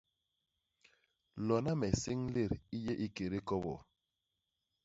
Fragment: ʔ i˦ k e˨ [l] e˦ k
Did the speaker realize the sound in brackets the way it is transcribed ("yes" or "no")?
no